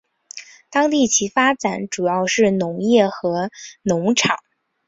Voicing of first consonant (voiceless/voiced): voiceless